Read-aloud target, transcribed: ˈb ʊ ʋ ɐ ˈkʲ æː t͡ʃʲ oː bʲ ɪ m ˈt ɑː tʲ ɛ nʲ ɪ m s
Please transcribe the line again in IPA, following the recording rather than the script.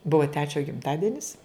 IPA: ˈb ʊ ʋ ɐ ˈtʲ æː t͡ʃʲ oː ɡʲ ɪ m ˈt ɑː dʲ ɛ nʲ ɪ s